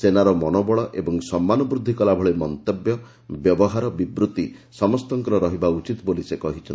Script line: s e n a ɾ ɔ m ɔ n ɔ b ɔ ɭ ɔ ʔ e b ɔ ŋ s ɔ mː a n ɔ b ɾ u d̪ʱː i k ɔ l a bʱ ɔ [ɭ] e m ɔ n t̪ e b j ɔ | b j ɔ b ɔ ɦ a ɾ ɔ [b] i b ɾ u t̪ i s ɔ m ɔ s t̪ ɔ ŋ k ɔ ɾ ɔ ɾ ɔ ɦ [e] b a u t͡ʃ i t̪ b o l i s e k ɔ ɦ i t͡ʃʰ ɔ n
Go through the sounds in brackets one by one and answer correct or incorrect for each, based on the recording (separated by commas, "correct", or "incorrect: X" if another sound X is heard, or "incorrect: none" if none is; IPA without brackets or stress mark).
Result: correct, correct, incorrect: i